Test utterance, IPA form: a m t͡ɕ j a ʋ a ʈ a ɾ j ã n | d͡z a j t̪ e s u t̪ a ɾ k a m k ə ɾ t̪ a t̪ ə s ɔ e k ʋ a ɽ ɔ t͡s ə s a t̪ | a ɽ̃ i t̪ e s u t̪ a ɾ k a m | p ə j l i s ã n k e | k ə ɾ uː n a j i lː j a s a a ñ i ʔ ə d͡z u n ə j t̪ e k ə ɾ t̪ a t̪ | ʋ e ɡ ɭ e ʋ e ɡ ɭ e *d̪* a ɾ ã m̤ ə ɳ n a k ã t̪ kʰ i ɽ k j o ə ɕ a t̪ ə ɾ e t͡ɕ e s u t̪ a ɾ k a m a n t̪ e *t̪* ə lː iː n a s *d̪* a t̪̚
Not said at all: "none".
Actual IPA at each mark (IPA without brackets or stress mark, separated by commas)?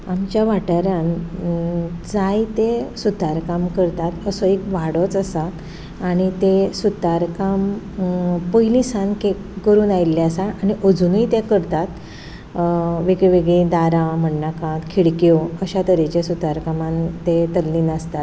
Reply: d̪, t̪, t̪